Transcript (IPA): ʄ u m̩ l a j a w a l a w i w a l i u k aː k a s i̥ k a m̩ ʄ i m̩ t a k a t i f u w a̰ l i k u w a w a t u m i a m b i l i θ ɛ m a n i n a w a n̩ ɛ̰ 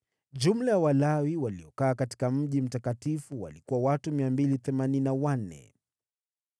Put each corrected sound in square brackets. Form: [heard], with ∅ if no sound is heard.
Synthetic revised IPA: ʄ u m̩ l a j a w a l a w i w a l i [ɔ] k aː k a [t] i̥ k a m̩ ʄ i m̩ t a k a t i f u w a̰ l i k u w a w a t u m i a m b i l i θ ɛ m a n i n a w a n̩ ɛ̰